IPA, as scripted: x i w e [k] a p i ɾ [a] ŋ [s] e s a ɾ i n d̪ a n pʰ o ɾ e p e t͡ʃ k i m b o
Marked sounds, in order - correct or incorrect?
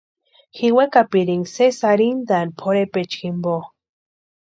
correct, incorrect: i, correct

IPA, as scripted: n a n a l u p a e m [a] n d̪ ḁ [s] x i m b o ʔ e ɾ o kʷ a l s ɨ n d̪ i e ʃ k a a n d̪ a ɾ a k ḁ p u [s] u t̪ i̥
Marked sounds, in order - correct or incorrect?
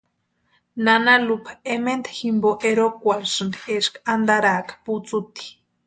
incorrect: e, incorrect: none, incorrect: t͡s

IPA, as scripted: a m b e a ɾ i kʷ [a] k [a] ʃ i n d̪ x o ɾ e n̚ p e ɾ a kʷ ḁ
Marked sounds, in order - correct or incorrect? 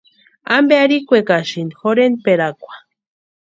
incorrect: e, correct

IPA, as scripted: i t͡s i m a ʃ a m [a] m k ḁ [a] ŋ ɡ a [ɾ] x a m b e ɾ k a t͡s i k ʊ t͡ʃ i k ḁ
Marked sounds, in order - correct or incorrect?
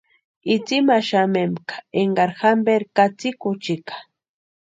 incorrect: e, incorrect: e, correct

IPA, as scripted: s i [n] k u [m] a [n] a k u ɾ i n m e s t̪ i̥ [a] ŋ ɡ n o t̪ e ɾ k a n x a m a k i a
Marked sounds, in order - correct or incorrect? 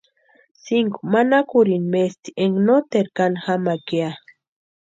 incorrect: ŋ, correct, correct, incorrect: e

